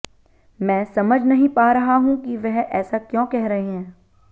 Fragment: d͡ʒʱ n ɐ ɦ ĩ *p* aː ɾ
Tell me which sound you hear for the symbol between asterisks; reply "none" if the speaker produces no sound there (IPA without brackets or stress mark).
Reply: p